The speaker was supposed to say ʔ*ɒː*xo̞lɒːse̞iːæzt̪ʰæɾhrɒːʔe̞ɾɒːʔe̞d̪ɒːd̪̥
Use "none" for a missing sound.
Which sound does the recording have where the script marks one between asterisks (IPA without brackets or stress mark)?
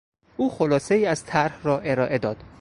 uː